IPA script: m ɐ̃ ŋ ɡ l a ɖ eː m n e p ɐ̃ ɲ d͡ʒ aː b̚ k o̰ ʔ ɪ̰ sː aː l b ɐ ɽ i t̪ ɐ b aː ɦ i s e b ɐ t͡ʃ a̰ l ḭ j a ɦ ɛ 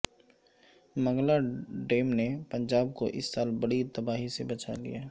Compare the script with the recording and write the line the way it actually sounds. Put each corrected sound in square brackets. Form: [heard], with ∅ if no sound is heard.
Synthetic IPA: m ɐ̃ ŋ ɡ l a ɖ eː m n e p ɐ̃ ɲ d͡ʒ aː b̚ k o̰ ʔ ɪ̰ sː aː l b ɐ ɽ i t̪ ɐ b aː ɦ i s e b ɐ t͡ʃ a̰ l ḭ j a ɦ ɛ